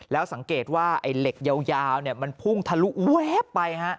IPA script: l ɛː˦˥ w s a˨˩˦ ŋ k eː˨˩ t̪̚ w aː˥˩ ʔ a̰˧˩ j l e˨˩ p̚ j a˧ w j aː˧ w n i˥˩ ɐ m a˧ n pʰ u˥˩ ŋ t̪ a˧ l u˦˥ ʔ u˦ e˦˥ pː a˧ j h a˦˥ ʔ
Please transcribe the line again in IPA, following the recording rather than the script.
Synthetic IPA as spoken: l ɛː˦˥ w s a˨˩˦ ŋ k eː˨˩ t̪̚ w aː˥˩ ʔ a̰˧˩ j l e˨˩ k̚ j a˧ w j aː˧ w n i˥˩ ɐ m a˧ n pʰ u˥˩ ŋ t̪ʰ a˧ l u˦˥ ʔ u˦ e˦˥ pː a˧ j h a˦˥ ʔ

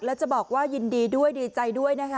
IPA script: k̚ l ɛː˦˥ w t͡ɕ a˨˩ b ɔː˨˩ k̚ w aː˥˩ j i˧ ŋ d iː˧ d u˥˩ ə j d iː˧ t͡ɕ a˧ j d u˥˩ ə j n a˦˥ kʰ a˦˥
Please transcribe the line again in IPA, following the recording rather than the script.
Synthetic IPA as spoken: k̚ l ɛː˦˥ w t͡ɕ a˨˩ b ɔː˨˩ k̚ w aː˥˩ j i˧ n d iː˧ d u˥˩ ə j d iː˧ t͡ɕ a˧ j d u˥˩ ə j n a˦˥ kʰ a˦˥

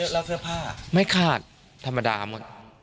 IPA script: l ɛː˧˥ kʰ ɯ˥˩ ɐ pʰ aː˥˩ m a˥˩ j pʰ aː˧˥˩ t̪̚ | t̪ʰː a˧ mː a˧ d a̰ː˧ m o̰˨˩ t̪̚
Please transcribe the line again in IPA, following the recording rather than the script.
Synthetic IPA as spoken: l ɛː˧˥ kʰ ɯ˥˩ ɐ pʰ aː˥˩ m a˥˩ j kʰ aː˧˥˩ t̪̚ | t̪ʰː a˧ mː a˧ d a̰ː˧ m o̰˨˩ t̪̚

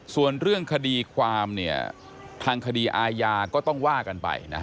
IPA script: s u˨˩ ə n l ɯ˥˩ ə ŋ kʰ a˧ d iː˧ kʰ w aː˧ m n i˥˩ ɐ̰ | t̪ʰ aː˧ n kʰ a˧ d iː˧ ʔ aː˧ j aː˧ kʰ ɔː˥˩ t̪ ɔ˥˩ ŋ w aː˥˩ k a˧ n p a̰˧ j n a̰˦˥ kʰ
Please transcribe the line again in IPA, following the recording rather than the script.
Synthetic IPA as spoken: s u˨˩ ə n ɾ ɯ˥˩ ə ŋ kʰ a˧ d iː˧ kʰ w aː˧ m n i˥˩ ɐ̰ | t̪ʰ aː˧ ŋ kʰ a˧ d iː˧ ʔ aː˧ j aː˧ k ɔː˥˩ t̪ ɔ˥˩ ŋ w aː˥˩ k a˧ n p a̰˧ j n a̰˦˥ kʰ

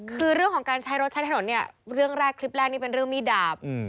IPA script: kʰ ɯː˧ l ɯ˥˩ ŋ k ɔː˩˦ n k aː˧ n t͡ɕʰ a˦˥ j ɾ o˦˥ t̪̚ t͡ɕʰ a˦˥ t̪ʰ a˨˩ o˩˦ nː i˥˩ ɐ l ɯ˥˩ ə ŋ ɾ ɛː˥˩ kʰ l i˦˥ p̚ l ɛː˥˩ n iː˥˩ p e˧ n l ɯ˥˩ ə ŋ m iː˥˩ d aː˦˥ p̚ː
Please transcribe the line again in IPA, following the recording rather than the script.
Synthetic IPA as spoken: kʰ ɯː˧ ɾ ɯ˥˩ ŋ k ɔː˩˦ ŋ k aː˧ n t͡ɕʰ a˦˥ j ɾ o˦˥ t̪̚ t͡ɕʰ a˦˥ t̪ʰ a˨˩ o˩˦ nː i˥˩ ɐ ɾ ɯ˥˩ ə ŋ ɾ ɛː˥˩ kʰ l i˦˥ p̚ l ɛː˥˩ n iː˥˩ p e˧ n ɾ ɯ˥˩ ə ŋ m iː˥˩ d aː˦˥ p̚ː

